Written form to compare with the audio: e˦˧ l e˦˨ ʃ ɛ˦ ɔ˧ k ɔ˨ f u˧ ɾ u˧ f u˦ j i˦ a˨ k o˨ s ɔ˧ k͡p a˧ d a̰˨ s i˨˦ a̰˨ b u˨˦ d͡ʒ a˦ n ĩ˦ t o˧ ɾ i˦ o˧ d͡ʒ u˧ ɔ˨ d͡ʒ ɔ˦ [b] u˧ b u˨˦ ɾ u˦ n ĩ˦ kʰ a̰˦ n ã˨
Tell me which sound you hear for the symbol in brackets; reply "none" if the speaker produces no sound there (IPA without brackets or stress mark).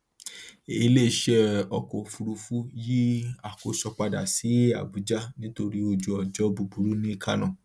b